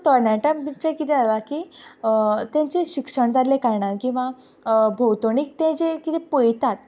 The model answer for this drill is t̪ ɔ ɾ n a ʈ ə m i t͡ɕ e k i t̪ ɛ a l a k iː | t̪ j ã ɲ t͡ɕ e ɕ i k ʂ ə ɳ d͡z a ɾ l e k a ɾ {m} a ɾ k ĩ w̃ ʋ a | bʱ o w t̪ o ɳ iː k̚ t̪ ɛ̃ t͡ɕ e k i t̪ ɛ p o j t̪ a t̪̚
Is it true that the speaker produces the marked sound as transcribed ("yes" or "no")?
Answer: no